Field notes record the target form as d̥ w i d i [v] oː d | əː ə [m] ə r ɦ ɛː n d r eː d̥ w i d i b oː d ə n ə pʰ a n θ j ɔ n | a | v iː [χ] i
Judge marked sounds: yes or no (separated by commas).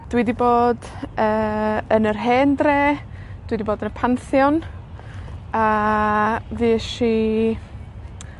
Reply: no, no, no